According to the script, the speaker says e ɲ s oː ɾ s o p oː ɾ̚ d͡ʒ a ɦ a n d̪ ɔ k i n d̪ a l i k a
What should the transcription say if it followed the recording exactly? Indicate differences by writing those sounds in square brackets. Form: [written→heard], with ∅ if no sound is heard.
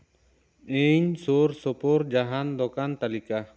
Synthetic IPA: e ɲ s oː ɾ s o p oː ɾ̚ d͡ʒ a ɦ a n d̪ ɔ k [i→a] n [d̪→t̪] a l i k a